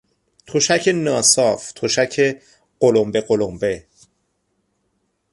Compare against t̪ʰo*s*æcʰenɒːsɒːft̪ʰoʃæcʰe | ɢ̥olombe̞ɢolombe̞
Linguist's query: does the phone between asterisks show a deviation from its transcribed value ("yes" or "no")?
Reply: yes